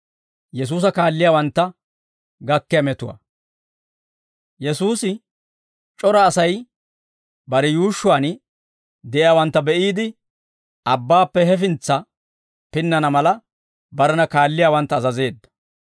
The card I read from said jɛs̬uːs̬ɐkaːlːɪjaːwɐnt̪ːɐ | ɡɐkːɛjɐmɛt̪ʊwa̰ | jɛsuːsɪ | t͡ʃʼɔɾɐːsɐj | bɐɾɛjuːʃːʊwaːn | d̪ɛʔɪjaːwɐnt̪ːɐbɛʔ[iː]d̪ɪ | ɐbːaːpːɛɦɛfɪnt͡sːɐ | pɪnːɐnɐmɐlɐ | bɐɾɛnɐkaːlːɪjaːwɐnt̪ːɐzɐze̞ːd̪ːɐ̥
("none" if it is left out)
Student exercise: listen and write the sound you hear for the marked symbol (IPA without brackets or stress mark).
iː